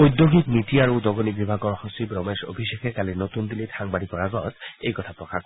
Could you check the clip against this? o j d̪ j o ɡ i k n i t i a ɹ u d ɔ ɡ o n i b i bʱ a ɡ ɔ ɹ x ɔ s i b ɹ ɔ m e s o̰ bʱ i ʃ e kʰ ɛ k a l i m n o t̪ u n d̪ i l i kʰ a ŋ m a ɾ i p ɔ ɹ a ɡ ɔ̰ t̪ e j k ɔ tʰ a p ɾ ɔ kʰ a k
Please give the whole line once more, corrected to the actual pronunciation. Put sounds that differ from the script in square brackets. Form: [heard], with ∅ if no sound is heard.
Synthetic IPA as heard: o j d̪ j o ɡ i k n i t i a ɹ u d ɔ ɡ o n i b i bʱ a ɡ ɔ ɹ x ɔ s i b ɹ ɔ m e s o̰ bʱ i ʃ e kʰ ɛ k a l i [∅] n o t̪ u n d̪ i l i [tʰ] a ŋ [b] a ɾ i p ɔ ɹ a ɡ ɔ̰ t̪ e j k ɔ tʰ a p [ɹ] ɔ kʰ a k